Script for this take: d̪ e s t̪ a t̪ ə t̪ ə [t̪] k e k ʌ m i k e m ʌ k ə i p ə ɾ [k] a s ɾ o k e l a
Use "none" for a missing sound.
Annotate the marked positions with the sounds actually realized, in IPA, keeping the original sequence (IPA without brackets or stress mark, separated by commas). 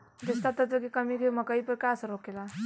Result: none, k